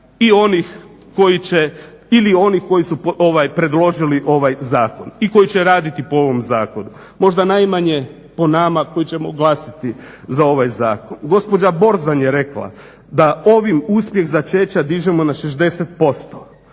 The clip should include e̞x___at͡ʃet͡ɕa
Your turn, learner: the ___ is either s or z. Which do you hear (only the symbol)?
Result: z